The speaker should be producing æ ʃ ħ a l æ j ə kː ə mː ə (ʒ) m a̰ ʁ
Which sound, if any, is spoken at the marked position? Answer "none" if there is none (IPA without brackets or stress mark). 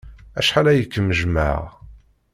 ʒ